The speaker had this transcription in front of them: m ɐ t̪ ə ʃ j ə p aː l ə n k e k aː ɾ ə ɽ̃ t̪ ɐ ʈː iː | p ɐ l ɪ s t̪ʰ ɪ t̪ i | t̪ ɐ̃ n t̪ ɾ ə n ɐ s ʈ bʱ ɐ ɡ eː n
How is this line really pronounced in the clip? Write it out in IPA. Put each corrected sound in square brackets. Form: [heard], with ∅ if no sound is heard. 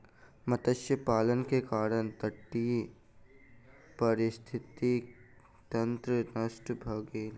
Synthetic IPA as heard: m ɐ t̪ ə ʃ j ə p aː l ə n k e k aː ɾ ə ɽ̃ t̪ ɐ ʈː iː | p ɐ [ɾ] ɪ s t̪ʰ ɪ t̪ i | t̪ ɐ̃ n t̪ ɾ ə n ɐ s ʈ bʱ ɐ ɡ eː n